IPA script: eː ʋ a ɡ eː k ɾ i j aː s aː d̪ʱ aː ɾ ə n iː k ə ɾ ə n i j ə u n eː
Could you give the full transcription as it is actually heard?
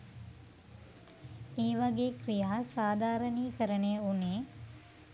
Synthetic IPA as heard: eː ʋ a ɡ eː k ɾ i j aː s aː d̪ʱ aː ɾ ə n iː k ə ɾ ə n e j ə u n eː